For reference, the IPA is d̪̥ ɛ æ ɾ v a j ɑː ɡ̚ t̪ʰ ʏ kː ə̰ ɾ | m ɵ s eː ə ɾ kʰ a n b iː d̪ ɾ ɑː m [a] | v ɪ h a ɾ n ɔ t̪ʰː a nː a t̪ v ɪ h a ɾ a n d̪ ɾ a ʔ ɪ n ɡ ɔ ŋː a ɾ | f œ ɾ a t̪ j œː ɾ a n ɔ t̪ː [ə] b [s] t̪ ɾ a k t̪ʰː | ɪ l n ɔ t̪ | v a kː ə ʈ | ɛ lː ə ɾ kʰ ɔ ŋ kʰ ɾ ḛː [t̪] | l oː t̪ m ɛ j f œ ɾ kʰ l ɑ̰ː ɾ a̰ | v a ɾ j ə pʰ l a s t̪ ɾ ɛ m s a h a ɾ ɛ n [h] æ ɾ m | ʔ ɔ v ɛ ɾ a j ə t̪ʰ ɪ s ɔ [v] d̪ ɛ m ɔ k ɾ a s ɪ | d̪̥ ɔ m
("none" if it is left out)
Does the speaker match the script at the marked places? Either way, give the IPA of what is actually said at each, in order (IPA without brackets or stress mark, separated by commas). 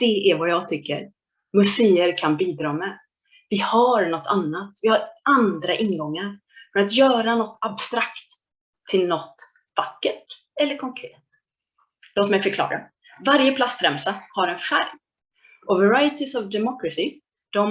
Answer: ɛ, a, s, t̪, f, v